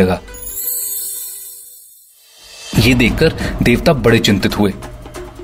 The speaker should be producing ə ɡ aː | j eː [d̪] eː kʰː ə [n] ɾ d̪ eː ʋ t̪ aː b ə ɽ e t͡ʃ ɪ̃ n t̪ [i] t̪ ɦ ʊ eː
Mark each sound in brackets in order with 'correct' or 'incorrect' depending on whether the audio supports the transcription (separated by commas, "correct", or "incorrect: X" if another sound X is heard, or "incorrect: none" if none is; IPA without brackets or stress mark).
correct, incorrect: none, incorrect: ɪ